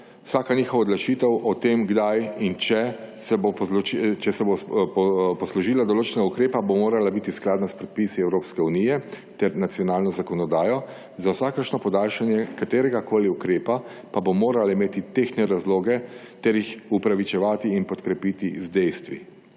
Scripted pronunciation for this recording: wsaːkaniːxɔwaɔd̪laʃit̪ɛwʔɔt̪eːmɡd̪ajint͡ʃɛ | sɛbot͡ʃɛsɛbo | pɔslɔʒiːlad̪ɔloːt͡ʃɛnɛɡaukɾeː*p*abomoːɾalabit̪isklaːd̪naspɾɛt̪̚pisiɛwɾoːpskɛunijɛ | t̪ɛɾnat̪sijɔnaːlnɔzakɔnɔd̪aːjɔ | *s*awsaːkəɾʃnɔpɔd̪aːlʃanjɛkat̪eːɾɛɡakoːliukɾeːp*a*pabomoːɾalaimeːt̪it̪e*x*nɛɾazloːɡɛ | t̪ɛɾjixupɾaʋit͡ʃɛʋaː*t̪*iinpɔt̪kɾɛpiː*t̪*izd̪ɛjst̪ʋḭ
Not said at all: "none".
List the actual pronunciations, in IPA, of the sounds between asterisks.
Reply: p, z, a, x, t̪, t̪

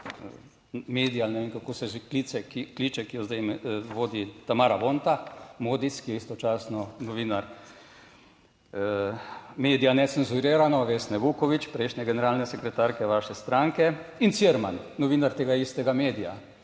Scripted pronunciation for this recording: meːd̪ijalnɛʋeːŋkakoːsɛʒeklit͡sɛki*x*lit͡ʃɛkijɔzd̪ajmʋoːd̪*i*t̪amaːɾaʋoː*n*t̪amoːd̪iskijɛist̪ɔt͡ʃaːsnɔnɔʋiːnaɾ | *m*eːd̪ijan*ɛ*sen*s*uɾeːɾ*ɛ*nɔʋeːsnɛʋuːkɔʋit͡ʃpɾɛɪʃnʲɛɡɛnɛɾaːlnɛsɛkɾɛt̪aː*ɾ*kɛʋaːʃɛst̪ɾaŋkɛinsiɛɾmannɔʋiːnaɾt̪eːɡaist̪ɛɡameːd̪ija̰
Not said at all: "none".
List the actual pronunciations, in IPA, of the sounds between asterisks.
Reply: k, i, n, m, ɛ, z, a, ɾ

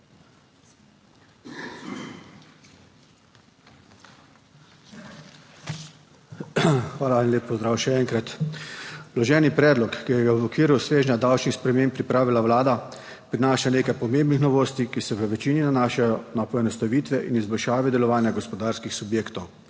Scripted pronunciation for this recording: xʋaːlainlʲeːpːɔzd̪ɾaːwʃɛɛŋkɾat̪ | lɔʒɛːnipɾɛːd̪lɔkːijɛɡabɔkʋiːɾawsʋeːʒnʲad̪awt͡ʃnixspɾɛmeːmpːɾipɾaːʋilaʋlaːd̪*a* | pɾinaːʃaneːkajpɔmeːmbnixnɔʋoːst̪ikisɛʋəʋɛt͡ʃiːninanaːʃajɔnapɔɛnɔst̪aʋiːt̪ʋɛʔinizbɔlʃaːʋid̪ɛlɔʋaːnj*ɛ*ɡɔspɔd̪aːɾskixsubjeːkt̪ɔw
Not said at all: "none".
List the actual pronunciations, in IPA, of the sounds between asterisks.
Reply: a, a

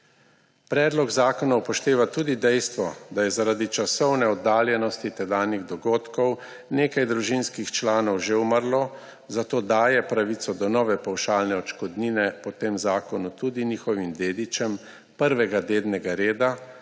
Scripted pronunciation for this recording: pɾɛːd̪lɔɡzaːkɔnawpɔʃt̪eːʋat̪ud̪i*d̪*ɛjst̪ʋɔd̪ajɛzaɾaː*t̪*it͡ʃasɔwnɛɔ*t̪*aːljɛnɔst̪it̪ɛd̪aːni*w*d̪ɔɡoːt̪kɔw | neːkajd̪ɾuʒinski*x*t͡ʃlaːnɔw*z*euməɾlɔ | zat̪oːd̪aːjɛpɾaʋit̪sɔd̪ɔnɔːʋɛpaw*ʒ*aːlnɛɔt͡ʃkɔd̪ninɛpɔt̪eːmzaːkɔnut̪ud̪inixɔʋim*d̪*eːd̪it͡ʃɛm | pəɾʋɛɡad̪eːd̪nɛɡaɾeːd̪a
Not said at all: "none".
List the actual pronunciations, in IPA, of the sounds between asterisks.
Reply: d̪, d̪, d̪, ɣ, x, ʒ, ʃ, d̪

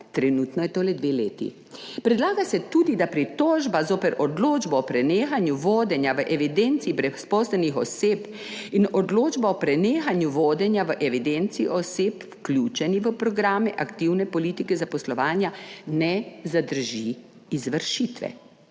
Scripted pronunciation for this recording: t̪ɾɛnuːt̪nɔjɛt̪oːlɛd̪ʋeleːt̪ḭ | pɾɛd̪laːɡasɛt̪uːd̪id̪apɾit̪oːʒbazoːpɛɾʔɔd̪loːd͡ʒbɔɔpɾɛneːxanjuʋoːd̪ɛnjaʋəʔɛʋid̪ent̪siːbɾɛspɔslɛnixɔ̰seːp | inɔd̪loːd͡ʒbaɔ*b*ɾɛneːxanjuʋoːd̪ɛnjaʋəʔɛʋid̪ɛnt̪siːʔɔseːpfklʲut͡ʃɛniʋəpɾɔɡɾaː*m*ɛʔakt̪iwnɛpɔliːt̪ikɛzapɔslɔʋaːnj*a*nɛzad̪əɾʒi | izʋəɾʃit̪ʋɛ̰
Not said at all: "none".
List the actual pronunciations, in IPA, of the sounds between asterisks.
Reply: p, m, a

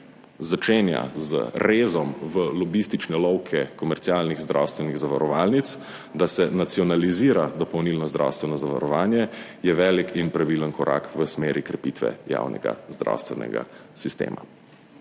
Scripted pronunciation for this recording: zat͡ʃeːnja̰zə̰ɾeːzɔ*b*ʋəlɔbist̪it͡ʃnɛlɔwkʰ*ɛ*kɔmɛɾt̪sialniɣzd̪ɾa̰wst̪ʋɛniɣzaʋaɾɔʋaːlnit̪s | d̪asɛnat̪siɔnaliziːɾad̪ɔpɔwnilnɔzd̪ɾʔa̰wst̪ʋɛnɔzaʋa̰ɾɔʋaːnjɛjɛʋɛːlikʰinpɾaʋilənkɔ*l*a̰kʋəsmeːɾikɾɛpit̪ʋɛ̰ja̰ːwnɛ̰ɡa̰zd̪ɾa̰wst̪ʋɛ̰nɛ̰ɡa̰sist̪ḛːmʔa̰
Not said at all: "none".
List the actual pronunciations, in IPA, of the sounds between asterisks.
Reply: m, ɛ, ɾ

